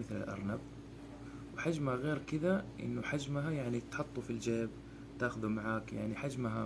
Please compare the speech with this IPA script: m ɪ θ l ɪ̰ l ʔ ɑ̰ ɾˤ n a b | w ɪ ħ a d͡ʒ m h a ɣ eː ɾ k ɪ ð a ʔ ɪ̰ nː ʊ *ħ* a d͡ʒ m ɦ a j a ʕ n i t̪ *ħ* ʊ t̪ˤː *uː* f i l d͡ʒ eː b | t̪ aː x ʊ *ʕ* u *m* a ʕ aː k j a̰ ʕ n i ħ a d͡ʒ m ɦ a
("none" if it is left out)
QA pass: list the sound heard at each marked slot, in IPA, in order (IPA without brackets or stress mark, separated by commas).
ħ, ħ, u, ð, m